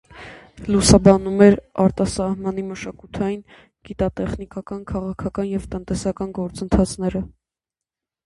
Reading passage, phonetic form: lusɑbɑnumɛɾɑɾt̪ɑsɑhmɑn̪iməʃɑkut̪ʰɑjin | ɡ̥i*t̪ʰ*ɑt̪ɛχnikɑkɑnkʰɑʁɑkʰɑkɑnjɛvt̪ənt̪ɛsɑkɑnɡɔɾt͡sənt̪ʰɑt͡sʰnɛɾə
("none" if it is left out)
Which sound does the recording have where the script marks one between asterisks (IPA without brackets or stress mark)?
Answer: t̪